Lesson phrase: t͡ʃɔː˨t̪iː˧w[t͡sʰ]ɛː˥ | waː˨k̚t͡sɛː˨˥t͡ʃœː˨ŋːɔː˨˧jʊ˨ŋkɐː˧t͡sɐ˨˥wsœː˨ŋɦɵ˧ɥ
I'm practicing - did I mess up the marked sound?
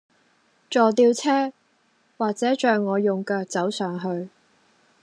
no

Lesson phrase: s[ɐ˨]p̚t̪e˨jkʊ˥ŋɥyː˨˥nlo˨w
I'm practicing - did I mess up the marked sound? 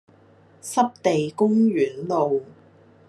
yes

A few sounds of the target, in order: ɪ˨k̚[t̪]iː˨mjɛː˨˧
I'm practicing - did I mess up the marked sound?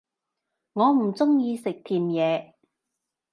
yes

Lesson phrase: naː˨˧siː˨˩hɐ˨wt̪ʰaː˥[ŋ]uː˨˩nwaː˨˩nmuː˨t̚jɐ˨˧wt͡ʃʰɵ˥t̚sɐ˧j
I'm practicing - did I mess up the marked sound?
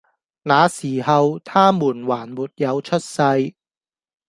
yes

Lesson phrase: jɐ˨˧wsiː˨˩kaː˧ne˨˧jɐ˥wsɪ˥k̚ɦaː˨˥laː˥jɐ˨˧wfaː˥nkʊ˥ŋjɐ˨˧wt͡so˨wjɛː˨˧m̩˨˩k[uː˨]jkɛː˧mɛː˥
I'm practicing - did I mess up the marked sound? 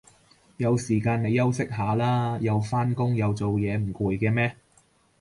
no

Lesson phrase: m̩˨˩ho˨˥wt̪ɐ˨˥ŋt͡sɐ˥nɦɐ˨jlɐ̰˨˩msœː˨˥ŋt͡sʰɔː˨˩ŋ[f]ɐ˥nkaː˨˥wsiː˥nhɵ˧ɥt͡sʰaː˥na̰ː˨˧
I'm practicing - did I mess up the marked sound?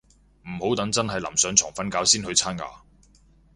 no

